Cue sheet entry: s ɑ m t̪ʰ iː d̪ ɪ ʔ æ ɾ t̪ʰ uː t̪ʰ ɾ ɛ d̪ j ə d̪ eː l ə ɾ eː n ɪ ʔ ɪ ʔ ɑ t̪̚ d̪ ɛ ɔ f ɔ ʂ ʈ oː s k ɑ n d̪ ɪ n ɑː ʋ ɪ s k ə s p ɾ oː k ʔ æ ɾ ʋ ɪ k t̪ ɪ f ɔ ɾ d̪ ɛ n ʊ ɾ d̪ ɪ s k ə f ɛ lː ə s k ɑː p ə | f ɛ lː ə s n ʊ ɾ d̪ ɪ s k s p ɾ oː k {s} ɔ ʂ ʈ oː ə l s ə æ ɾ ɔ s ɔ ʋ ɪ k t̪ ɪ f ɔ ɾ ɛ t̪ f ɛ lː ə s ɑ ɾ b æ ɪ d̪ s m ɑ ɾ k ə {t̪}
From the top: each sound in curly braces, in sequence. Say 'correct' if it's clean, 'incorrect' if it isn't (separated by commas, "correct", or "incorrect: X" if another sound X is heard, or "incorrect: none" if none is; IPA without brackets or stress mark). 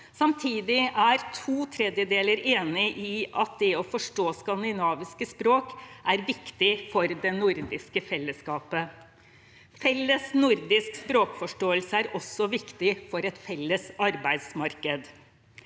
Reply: incorrect: f, incorrect: d̪